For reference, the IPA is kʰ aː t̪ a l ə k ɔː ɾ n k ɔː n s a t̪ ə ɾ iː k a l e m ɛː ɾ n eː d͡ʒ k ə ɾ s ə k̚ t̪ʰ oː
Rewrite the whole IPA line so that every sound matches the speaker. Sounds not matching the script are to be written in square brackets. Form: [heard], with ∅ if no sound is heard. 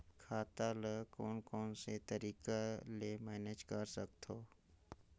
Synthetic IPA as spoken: kʰ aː t̪ a l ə k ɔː [∅] n k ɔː n s [e] t̪ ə ɾ iː k a l e m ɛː [∅] n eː d͡ʒ k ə ɾ s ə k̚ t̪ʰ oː